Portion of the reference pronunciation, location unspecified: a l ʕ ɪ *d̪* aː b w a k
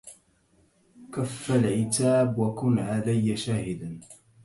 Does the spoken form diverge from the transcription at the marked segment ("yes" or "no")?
yes